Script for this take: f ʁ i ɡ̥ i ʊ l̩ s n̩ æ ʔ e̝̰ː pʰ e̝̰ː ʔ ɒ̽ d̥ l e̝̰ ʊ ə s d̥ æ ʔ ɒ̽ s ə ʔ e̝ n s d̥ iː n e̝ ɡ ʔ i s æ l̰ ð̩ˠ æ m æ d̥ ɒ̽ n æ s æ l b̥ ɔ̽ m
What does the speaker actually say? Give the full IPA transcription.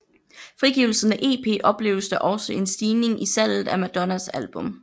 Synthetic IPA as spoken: f ʁ i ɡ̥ i ʊ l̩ s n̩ æ ʔ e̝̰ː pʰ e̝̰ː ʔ ɒ̽ b̥ l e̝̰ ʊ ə s d̥ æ ʔ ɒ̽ s ə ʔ e̝ n s d̥ iː n e̝ ŋ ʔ i s æ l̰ ð̩ˠ æ m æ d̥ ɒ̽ n æ s æ l b̥ ɔ̽ m